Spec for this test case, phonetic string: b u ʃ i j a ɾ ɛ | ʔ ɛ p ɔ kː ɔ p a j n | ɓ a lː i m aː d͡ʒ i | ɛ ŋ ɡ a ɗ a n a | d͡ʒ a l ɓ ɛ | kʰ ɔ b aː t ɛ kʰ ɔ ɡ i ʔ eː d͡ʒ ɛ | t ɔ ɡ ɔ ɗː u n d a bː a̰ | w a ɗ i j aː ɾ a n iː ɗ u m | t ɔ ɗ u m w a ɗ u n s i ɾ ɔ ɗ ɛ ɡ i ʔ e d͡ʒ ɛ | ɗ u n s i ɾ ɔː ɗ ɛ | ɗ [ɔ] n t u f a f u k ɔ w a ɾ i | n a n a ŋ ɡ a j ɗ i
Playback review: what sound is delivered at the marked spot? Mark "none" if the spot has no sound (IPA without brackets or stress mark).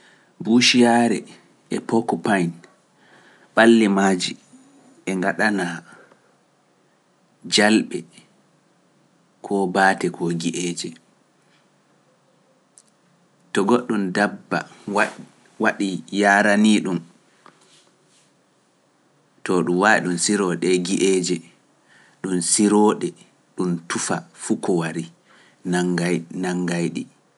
u